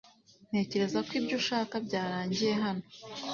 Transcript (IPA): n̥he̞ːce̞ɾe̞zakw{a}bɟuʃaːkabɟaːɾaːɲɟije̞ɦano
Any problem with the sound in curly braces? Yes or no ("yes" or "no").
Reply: yes